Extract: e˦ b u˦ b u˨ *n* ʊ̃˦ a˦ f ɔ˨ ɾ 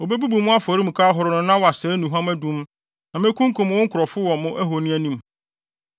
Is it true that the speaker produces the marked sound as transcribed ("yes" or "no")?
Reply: no